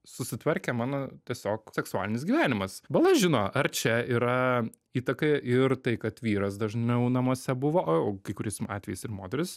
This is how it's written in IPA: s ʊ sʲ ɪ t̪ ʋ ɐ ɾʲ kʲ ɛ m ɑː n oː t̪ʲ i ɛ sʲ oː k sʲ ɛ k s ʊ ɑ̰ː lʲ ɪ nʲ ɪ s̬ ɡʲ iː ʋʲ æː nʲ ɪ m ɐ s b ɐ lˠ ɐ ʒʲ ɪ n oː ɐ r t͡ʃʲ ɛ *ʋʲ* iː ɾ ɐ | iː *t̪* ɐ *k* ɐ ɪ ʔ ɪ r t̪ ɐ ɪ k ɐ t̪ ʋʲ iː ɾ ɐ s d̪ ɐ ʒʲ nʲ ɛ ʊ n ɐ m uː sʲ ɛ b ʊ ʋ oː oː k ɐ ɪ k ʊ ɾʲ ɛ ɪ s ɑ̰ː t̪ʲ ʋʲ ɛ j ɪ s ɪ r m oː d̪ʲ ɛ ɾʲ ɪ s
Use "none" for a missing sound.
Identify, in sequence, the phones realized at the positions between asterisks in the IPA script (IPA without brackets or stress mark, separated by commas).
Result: none, t̪, k